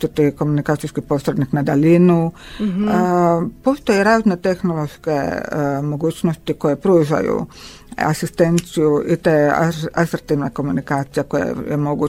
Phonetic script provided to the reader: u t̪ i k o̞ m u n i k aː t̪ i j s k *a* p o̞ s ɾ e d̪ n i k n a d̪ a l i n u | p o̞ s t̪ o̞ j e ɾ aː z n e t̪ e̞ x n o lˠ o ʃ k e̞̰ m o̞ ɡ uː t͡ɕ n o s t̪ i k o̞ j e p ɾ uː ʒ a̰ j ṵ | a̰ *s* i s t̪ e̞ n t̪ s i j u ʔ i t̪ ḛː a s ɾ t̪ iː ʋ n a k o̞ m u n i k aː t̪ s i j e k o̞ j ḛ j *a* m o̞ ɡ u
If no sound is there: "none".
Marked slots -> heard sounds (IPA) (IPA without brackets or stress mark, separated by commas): i, s, e